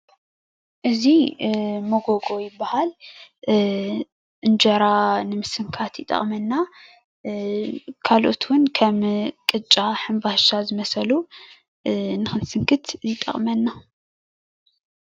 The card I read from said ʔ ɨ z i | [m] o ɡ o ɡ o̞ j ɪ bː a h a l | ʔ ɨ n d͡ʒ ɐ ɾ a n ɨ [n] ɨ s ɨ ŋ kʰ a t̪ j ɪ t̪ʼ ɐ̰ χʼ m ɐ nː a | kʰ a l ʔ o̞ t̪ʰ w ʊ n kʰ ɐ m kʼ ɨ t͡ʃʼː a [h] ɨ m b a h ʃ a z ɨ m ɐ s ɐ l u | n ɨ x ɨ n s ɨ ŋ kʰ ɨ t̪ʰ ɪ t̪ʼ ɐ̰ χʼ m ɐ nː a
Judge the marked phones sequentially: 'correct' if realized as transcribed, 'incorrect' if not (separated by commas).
correct, incorrect, incorrect